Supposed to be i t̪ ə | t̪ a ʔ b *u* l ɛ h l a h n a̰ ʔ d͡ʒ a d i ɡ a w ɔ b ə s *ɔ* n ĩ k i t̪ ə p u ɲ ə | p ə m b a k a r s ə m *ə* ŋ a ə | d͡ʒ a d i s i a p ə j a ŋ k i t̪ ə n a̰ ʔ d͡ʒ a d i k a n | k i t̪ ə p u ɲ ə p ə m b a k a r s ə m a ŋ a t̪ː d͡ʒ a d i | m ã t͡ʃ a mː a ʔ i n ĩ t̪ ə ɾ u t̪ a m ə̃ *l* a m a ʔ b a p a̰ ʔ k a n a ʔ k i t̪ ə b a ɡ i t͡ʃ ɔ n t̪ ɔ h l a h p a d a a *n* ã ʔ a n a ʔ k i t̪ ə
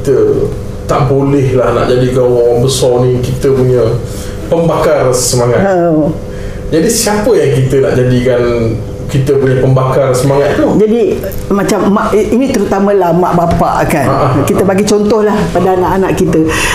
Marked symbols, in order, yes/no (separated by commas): no, yes, no, yes, yes